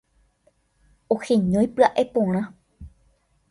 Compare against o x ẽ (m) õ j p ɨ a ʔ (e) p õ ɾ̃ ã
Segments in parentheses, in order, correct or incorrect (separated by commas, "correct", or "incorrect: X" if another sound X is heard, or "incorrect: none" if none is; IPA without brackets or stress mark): incorrect: ɲ, correct